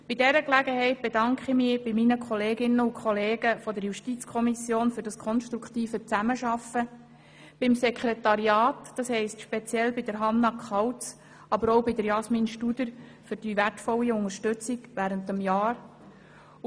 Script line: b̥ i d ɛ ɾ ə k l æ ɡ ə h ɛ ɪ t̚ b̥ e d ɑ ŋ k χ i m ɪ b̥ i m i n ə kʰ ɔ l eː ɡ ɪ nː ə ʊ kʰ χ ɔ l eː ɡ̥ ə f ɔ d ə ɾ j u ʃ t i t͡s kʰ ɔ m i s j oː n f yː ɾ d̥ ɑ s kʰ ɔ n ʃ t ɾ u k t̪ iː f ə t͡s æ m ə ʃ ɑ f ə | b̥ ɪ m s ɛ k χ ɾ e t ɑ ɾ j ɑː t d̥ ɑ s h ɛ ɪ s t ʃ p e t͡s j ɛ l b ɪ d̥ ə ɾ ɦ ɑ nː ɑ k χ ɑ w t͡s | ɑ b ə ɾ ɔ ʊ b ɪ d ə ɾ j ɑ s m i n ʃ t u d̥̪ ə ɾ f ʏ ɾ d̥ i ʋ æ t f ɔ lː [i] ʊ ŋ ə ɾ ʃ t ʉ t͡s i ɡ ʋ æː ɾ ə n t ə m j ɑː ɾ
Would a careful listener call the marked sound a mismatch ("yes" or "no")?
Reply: no